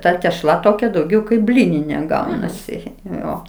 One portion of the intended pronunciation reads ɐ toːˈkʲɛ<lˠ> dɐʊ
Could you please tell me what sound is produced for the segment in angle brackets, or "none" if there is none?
none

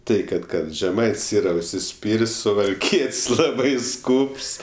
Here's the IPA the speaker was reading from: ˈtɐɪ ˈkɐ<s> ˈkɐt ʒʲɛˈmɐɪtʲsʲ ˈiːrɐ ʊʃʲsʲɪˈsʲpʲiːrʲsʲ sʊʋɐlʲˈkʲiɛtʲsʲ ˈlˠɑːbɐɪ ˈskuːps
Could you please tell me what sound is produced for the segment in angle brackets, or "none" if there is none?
t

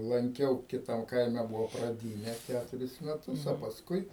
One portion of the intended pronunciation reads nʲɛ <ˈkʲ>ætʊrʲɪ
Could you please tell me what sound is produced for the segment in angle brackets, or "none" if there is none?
kʲ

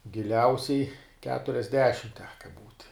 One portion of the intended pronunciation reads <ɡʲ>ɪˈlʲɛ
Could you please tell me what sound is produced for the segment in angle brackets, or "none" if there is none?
ɡʲ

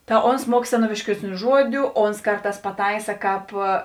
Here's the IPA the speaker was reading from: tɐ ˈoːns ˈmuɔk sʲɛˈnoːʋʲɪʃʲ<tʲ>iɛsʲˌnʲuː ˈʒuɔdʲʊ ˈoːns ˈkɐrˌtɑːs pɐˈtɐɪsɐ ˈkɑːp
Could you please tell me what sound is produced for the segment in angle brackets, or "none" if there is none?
kʲ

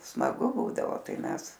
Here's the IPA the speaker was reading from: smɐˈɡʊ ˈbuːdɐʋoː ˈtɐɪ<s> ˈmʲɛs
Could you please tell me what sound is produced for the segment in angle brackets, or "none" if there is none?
none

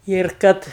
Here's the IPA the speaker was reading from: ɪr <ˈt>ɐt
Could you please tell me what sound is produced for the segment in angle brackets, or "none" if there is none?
k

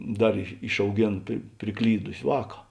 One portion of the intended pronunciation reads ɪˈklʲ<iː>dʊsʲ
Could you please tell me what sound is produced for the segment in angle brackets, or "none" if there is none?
iː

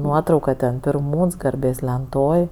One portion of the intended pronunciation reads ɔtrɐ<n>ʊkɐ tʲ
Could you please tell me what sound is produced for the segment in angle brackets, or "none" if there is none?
none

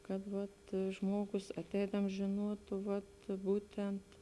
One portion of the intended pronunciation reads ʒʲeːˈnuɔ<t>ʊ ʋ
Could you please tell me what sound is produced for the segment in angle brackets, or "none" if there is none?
t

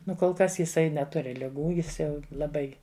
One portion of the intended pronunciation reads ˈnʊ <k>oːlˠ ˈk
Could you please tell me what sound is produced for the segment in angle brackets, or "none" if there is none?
k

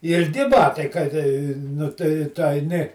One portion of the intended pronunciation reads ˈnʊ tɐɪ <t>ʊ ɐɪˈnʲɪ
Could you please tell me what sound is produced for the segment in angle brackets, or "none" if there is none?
t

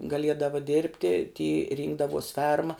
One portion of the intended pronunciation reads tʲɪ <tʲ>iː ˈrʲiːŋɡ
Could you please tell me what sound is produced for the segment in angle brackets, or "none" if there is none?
tʲ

